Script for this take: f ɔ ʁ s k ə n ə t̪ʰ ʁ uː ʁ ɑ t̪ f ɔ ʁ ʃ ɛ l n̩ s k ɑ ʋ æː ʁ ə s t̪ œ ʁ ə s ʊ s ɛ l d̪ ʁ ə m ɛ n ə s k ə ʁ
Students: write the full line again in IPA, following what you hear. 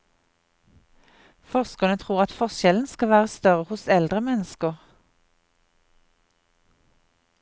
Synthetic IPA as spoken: f ɔ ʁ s k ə n ə t̪ʰ ʁ uː ʁ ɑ t̪ f ɔ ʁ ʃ ɛ l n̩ s k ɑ ʋ æː ʁ ə s t̪ œ ʁ ə h ʊ s ɛ l d̪ ʁ ə m ɛ n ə s k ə ʁ